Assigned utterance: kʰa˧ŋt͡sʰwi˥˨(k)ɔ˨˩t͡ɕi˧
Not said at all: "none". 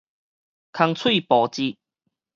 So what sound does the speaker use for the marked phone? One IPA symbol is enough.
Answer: p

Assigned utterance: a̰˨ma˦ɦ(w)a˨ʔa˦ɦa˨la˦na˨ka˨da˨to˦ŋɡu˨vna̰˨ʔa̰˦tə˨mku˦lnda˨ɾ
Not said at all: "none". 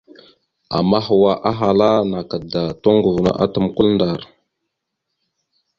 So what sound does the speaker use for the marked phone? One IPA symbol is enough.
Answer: w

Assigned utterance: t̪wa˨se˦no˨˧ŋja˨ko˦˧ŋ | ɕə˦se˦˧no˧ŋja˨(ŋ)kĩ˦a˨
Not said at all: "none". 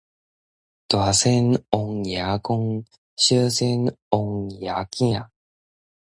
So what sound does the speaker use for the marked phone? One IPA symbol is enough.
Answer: none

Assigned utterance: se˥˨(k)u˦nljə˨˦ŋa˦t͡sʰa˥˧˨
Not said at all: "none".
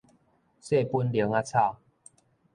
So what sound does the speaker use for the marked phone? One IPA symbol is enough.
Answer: p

